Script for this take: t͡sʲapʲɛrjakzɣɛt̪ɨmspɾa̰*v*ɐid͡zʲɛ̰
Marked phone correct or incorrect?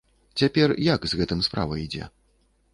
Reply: correct